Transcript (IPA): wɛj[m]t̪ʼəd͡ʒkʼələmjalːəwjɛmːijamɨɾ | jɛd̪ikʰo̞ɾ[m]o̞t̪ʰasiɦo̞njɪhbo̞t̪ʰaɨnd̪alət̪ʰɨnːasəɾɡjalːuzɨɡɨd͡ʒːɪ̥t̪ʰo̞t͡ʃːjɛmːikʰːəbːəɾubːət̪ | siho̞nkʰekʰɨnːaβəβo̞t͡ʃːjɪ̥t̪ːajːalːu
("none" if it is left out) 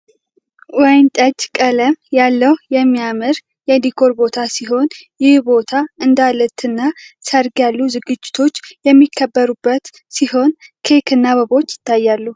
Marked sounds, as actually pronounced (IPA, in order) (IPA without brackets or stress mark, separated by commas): n, b